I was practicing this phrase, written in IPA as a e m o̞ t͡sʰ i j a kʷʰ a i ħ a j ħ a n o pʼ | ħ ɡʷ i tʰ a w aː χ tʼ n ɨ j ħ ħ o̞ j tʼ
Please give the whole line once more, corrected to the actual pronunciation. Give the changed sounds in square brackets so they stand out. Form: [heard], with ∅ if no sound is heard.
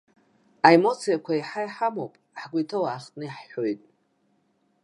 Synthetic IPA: a e m o̞ t͡sʰ i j a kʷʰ a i ħ a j ħ a [m] o pʼ | ħ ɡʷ i tʰ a w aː χ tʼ n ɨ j ħ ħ o̞ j tʼ